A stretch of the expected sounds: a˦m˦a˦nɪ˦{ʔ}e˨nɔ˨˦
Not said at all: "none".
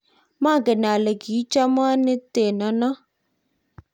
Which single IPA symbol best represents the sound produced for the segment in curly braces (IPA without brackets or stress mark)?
t